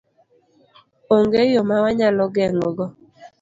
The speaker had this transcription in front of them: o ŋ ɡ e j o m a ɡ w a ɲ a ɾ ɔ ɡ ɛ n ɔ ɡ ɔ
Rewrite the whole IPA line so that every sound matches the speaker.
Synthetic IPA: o ŋ ɡ e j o m a w a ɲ a l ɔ ɡ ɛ ŋ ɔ ɡ ɔ